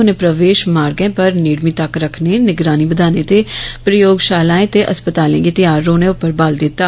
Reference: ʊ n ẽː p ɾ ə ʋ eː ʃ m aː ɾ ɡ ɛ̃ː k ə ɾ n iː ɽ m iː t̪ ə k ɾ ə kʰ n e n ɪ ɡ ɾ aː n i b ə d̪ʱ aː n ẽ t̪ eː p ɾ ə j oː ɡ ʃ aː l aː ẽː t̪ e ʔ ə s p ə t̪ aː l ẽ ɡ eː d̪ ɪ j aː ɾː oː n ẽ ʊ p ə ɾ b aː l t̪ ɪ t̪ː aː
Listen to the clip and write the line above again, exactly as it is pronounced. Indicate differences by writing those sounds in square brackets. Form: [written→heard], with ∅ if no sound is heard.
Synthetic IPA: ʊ n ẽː p ɾ ə ʋ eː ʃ m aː ɾ ɡ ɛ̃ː [k→p] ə ɾ n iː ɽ m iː t̪ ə k ɾ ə kʰ n e n ɪ ɡ ɾ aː n i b ə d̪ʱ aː n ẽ t̪ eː p ɾ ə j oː ɡ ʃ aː l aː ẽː t̪ e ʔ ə s p ə t̪ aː l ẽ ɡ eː [d̪→t̪] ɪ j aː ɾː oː n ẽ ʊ p ə ɾ b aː l [t̪→d̪] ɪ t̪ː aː